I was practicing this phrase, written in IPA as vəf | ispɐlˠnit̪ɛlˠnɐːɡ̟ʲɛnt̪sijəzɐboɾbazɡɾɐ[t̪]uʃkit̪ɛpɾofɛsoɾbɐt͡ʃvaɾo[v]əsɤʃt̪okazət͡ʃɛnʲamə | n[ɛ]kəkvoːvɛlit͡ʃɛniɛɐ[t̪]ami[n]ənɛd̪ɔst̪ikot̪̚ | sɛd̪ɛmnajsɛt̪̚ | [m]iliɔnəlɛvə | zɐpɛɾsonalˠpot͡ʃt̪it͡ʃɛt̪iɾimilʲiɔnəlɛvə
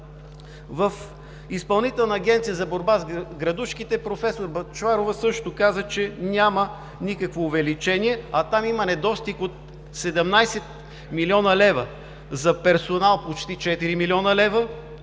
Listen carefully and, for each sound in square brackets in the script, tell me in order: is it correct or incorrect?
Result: incorrect: d̪, correct, incorrect: i, correct, incorrect: m, correct

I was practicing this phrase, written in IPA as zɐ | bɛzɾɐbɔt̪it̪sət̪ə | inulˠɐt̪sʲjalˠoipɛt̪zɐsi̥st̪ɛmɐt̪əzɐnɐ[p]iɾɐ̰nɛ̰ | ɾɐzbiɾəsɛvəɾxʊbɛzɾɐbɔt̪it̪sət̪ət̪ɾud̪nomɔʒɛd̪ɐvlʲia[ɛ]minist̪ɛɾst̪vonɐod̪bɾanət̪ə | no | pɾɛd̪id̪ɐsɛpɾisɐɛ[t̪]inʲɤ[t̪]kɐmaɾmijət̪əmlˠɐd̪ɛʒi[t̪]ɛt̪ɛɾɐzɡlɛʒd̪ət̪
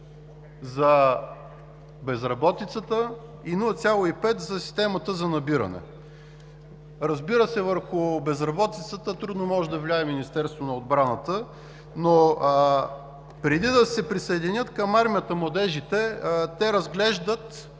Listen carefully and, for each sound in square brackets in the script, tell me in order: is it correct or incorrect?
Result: incorrect: b, correct, incorrect: d̪, correct, correct

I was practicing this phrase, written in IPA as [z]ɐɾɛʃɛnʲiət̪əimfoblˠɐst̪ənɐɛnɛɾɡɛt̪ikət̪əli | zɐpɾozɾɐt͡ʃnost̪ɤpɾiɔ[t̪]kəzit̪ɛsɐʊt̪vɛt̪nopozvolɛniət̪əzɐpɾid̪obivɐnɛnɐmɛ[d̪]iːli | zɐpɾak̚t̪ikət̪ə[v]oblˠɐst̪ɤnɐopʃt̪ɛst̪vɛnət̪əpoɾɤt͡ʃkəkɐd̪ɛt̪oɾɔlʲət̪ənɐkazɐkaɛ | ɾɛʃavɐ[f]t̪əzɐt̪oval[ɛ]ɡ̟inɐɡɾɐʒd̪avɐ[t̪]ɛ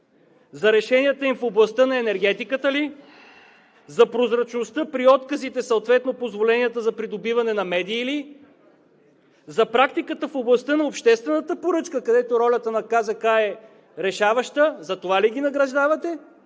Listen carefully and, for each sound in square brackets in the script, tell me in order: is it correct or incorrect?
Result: correct, correct, correct, incorrect: f, incorrect: ʃ, incorrect: i, correct

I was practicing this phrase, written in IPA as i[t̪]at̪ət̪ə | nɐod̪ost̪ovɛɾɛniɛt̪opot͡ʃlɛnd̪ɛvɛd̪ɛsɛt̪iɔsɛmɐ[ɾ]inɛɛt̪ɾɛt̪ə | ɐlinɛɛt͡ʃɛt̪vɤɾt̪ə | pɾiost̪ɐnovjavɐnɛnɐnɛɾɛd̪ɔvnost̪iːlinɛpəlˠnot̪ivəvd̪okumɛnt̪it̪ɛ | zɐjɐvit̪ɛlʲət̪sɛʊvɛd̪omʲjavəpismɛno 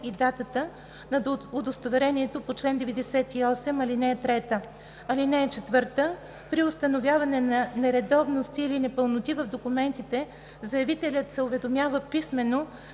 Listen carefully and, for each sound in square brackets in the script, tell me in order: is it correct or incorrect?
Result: incorrect: d̪, incorrect: l

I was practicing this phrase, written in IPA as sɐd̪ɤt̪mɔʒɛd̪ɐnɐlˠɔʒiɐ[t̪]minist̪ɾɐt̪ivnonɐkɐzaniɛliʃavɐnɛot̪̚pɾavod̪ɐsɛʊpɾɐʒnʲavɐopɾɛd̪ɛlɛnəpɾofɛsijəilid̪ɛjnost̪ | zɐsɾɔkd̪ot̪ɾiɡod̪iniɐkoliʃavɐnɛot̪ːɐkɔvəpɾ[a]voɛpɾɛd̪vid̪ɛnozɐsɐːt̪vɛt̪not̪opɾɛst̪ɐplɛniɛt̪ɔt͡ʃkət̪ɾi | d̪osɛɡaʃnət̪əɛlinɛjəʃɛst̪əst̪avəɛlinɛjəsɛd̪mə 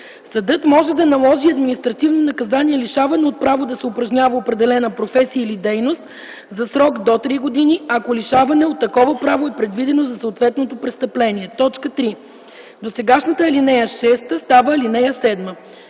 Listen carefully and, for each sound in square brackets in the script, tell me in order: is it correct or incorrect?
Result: incorrect: d̪, correct

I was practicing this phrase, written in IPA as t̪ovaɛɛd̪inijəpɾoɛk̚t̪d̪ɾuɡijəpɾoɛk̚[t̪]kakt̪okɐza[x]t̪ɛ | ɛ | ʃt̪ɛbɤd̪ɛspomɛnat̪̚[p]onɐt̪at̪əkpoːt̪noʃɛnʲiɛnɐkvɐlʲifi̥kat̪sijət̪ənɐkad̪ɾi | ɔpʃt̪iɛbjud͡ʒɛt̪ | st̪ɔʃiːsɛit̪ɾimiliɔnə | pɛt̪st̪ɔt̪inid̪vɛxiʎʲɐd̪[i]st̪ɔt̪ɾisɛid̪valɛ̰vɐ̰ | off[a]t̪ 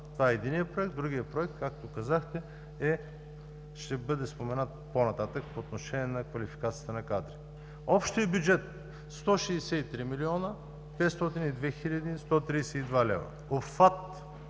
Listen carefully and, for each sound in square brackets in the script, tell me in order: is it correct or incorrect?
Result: correct, correct, correct, correct, correct

